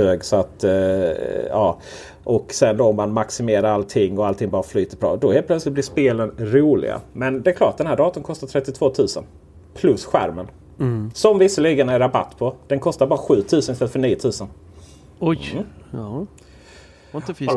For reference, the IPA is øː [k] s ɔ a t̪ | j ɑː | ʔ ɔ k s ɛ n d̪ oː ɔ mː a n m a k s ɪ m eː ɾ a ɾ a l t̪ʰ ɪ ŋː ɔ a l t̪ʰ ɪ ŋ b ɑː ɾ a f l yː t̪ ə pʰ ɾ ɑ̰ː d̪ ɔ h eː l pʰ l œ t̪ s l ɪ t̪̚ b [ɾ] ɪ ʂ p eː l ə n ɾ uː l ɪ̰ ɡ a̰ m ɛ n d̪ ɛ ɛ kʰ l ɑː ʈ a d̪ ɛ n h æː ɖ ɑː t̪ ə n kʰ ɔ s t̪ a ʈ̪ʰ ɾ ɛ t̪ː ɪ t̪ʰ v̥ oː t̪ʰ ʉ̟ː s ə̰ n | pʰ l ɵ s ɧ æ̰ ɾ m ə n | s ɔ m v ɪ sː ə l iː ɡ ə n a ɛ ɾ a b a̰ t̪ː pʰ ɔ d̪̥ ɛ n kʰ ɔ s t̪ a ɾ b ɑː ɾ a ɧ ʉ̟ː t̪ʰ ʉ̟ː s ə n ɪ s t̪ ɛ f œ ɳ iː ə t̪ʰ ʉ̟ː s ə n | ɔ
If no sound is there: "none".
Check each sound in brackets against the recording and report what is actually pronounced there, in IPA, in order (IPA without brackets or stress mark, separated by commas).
ɡ, l